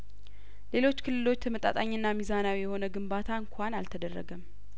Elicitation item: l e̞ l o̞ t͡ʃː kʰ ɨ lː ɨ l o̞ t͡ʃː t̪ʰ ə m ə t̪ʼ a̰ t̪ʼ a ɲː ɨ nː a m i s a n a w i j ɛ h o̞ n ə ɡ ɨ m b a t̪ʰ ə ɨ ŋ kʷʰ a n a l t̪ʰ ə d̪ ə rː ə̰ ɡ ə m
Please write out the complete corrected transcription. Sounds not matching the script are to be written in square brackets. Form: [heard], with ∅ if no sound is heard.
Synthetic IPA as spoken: l e̞ l o̞ t͡ʃː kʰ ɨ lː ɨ l o̞ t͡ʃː t̪ʰ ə m ə t̪ʼ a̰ t̪ʼ a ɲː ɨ nː a m i [z] a n a w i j ɛ h o̞ n ə ɡ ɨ m b a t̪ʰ [a] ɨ ŋ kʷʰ a n a l t̪ʰ ə d̪ ə rː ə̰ ɡ ə m